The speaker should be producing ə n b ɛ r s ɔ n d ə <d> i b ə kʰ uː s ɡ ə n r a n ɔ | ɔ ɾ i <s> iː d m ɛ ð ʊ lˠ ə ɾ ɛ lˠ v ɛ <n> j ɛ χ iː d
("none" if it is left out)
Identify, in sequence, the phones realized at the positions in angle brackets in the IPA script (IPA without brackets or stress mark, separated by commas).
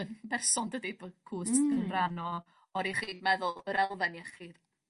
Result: d, χ, n